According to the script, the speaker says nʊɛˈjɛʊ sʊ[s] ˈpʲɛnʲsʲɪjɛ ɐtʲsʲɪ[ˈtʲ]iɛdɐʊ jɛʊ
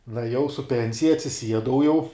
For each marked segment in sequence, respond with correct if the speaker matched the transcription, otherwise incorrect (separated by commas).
incorrect, incorrect